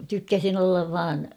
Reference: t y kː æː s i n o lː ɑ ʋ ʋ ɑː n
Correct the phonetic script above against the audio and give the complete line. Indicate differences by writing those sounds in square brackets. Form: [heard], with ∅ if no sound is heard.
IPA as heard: t y kː [æ] s i n o lː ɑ ʋ ʋ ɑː n